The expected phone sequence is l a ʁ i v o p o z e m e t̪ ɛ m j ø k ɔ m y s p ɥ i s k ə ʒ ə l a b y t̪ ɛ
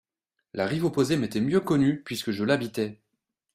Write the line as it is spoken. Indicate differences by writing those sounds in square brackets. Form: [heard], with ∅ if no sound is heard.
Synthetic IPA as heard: l a ʁ i v o p o z e m e t̪ ɛ m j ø k ɔ [n] y [∅] p ɥ i s k ə ʒ ə l a b [i] t̪ ɛ